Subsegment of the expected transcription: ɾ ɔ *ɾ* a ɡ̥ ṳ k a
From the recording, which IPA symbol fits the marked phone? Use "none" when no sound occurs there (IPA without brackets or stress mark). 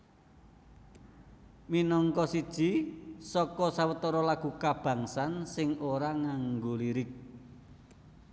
l